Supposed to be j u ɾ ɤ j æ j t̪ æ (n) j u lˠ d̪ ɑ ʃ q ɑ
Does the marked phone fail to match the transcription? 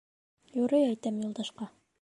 yes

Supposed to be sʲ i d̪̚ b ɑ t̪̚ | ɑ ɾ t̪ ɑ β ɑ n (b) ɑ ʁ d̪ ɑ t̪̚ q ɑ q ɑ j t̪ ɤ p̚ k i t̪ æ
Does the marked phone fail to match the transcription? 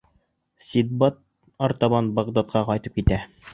no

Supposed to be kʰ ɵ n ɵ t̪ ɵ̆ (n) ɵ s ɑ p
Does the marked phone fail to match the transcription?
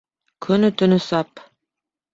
no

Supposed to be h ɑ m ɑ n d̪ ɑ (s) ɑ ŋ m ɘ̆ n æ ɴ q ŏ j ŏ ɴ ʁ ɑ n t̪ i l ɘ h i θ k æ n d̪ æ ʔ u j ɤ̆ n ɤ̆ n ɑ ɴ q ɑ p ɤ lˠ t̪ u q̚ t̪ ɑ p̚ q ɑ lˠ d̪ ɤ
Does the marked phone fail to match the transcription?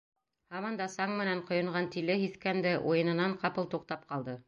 no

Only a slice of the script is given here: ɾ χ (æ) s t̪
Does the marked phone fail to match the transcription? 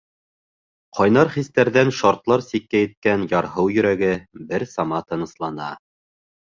yes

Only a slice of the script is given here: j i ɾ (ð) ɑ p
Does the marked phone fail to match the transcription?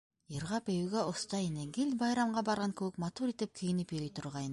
yes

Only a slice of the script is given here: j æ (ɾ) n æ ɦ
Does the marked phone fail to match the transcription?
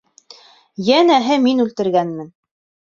yes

